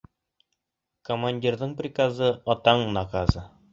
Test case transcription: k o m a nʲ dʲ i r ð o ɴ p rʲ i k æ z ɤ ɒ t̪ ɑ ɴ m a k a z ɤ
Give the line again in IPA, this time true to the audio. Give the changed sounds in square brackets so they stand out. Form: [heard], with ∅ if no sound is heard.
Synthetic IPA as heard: k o m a nʲ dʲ i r ð [ɤ] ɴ p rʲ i k [a] z ɤ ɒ t̪ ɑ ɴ [n] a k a z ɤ